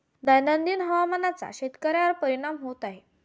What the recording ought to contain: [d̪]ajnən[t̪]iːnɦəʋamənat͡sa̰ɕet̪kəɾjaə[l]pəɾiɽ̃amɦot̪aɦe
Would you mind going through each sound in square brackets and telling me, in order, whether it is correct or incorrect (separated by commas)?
correct, incorrect, incorrect